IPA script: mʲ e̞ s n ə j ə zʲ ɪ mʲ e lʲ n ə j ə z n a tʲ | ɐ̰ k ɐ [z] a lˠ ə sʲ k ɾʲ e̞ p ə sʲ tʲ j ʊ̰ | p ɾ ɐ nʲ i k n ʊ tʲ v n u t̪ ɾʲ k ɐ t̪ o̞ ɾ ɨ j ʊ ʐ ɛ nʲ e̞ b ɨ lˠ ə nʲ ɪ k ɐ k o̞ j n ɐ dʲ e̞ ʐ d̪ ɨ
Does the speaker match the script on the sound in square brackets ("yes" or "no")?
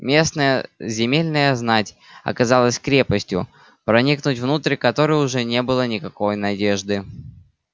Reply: yes